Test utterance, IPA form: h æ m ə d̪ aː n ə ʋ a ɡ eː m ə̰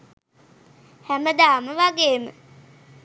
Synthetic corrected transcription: h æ m ə d̪ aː m ə ʋ a ɡ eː m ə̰